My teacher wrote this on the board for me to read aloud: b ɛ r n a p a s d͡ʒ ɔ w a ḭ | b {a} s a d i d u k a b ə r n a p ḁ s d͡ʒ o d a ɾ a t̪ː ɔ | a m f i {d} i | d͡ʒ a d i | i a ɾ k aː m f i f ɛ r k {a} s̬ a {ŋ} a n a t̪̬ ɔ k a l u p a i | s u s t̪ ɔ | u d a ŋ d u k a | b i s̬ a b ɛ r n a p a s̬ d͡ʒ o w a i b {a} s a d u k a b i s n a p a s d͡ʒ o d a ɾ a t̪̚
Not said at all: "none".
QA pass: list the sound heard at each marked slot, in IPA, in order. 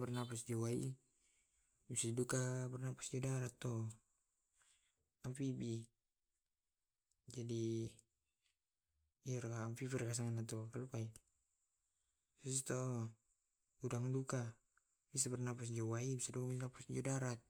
i, b, a, ŋ, i

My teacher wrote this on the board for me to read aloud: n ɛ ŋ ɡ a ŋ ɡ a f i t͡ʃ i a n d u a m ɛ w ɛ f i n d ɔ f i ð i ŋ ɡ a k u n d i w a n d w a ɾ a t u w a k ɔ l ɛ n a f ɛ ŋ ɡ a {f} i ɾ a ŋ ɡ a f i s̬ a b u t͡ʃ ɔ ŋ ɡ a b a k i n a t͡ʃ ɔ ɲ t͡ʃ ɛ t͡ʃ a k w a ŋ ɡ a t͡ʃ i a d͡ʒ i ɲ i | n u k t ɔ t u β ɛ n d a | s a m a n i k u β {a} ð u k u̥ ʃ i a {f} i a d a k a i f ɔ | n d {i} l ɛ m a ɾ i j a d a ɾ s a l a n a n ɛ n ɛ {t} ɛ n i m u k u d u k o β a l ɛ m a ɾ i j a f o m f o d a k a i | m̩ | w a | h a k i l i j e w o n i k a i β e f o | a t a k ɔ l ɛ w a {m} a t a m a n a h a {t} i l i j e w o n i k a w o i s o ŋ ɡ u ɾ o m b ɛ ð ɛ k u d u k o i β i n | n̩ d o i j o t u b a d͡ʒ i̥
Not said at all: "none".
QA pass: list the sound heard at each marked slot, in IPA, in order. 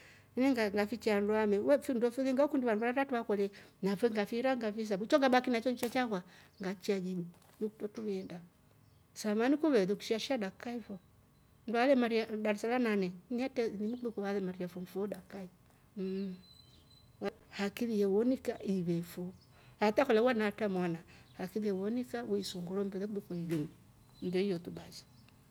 f, ɛ, ʃ, a, t, n, k

